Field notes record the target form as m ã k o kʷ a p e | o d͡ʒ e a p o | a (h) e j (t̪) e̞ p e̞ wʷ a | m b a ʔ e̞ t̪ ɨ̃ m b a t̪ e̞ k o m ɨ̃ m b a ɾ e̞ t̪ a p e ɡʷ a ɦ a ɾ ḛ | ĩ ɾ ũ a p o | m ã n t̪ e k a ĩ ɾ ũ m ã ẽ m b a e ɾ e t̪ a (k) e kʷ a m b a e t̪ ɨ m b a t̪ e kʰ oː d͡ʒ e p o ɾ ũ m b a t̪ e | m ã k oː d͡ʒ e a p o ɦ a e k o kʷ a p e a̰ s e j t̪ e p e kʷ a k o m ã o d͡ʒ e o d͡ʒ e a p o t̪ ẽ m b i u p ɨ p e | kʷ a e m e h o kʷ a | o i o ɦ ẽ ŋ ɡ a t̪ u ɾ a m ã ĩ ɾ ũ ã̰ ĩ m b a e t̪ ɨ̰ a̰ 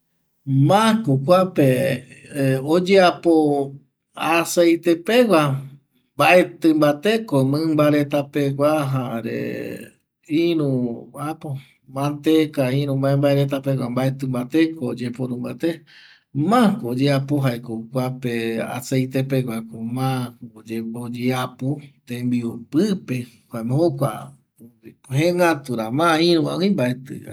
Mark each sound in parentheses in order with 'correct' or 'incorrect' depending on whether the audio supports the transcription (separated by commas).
incorrect, correct, incorrect